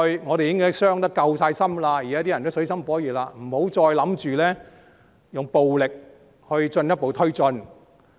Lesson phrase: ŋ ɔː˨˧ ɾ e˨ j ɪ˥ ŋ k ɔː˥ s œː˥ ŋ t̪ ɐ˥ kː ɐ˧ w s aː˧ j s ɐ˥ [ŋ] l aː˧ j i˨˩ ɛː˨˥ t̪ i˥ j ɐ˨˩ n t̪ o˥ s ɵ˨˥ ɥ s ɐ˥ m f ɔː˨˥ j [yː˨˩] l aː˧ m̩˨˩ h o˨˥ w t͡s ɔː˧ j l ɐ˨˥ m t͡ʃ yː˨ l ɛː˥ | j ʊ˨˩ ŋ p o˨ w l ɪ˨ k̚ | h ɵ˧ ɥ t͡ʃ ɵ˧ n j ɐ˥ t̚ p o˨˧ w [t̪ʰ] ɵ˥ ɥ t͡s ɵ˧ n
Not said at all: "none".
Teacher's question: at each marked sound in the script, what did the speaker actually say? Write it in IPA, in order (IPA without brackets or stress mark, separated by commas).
m, iː˨˩, t̪ʰ